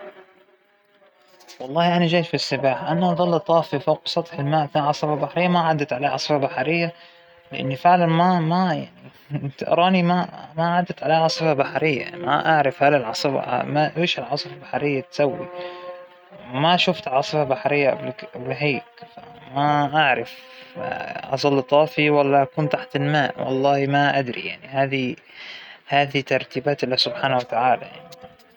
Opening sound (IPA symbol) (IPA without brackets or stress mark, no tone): w